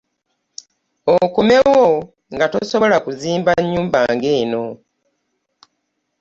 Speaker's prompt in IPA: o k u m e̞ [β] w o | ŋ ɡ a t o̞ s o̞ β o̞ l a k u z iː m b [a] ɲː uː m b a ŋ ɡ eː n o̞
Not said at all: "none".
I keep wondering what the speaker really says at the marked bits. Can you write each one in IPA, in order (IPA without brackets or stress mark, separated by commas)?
none, a